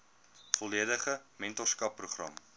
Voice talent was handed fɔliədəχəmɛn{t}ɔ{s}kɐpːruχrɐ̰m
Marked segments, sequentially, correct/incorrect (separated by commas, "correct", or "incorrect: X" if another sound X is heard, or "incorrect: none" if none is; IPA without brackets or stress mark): correct, correct